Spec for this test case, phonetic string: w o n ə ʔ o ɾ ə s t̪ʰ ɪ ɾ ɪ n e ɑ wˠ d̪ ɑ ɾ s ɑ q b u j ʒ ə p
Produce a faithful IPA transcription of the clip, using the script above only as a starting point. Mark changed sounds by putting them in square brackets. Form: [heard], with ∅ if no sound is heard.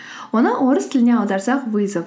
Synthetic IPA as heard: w o n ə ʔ o ɾ ə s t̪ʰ ɪ [l] ɪ n e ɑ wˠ d̪ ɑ ɾ s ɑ q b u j [z] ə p